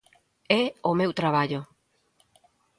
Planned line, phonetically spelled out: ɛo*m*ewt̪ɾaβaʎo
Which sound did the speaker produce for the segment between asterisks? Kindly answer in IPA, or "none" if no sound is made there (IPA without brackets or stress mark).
m